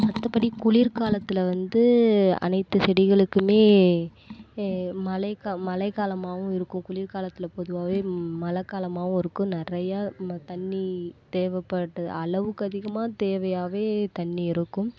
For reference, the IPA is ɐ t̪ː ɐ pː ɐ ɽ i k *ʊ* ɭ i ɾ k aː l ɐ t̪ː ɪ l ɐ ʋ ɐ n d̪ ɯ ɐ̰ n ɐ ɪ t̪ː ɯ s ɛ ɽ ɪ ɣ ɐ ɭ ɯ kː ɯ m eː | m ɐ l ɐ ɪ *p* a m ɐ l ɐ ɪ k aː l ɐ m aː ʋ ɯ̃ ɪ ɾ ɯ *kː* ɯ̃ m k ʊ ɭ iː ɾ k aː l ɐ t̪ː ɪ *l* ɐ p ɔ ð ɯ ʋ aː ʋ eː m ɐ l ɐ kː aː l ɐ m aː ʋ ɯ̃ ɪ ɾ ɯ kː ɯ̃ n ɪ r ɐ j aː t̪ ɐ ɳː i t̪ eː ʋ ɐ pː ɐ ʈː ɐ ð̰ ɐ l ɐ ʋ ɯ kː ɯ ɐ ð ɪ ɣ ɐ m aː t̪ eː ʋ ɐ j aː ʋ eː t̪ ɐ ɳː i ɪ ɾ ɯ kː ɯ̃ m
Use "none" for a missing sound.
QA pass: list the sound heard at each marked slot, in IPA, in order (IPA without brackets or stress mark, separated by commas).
ʊ, k, kː, l